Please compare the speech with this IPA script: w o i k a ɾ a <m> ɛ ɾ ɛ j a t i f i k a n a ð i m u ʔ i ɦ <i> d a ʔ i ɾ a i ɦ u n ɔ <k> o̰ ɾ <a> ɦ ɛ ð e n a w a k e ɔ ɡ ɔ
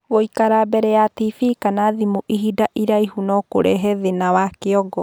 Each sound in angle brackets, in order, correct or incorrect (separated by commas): incorrect, correct, correct, incorrect